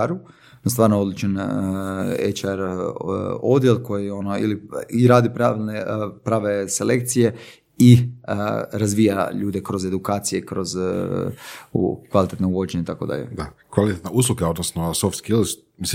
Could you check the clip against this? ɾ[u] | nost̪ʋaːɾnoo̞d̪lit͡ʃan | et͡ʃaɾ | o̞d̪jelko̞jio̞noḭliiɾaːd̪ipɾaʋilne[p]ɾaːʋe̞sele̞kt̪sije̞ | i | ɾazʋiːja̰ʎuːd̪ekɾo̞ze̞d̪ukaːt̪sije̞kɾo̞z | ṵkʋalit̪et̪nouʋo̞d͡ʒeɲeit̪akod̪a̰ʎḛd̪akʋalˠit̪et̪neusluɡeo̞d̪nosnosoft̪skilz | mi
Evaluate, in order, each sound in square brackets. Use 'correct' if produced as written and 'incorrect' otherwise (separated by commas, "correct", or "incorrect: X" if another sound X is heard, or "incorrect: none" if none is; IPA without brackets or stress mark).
correct, correct